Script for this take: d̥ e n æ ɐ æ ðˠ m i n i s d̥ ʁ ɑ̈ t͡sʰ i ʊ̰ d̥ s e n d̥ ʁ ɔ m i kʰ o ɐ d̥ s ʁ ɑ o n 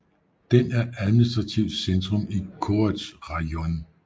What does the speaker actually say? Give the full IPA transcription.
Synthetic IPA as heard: d̥ e n æ ɐ æ ðˠ m i n i s d̥ ʁ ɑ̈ t͡sʰ i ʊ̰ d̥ s e n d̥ ʁ ɔ m i kʰ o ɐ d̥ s ʁ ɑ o n